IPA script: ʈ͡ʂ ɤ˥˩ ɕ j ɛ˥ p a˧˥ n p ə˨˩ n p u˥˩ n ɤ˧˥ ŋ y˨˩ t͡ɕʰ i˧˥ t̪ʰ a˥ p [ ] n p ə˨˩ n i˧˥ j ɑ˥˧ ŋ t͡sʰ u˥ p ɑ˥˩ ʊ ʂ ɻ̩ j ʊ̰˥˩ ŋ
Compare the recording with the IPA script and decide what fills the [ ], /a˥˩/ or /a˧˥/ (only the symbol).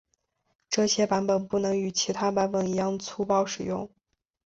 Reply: a˧˥